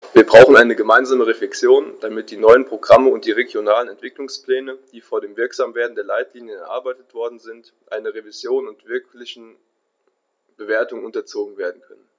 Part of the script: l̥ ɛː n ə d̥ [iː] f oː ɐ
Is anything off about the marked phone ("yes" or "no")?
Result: no